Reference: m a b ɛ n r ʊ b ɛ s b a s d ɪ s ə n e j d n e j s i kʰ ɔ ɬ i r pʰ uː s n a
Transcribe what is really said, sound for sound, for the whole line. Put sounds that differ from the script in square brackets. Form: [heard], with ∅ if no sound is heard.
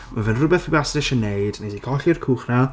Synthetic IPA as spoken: m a [v] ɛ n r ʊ b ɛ [θ] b a s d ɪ [ʃ] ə n e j d n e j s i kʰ ɔ ɬ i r [kʰ] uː [χ] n a